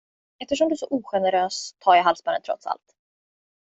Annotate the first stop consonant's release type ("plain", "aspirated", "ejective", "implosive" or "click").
plain